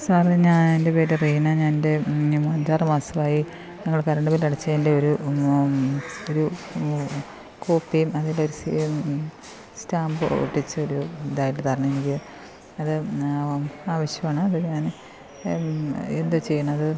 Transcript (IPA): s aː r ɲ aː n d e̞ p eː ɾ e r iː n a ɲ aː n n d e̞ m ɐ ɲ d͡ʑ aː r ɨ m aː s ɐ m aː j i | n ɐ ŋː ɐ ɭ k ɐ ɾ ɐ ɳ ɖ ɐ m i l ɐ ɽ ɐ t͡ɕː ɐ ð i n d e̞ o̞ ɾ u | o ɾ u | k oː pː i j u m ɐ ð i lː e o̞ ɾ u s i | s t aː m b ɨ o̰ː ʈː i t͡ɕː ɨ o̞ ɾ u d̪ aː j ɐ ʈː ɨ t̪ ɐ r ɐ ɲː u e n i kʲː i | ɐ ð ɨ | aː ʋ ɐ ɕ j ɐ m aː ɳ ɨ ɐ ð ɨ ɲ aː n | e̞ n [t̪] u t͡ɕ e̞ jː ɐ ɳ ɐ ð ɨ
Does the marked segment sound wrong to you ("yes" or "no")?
yes